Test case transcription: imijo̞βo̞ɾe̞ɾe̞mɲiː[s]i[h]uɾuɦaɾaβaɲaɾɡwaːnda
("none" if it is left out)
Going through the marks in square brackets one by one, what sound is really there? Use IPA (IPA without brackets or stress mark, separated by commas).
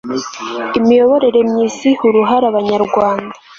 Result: s, h